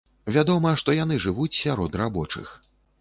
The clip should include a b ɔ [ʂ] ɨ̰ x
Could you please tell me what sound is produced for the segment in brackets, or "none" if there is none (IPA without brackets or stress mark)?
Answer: t͡ʂ